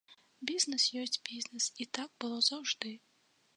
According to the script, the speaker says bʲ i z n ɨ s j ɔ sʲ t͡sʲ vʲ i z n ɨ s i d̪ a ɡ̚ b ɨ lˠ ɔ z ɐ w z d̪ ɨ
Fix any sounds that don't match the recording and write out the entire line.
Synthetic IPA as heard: bʲ i z n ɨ s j ɔ sʲ t͡sʲ bʲ i z n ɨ s i t̪ a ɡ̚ b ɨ lˠ ɔ z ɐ w ʐ d̪ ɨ